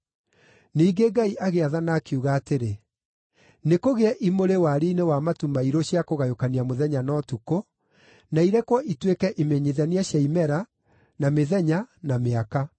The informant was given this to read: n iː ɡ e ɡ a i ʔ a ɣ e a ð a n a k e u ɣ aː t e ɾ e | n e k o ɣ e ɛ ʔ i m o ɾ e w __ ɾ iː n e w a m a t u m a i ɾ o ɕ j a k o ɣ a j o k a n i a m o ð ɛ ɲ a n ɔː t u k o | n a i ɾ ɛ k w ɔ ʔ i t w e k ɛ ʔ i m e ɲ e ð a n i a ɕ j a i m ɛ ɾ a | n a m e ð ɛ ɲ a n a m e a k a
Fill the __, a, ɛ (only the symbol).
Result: a